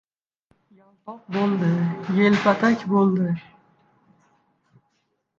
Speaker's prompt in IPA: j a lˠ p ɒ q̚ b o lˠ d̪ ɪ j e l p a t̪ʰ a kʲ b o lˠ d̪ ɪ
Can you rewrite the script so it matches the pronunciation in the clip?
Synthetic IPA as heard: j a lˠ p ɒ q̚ b o lˠ d̪ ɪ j e l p a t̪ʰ a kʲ b o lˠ d̪ ɪ